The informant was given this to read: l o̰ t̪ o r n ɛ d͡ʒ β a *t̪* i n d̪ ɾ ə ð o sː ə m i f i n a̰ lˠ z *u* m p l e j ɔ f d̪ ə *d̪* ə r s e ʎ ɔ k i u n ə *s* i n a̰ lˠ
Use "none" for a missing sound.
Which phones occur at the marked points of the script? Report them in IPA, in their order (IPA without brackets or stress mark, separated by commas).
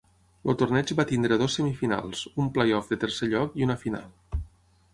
t̪, u, t̪, f